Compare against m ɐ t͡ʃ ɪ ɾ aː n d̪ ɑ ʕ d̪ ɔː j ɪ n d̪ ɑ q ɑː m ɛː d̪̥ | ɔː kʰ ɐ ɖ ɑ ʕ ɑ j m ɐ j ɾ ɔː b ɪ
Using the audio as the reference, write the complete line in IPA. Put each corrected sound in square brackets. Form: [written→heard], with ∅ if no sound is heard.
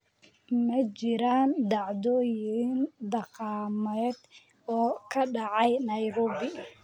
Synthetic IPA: m ɐ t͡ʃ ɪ ɾ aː n d̪ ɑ ʕ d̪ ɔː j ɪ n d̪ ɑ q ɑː m ɛː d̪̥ | ɔː kʰ ɐ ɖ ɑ ʕ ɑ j [m→n] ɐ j ɾ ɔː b ɪ